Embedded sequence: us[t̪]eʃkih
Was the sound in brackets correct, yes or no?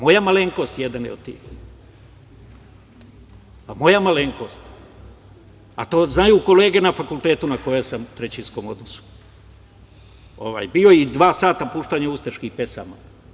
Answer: yes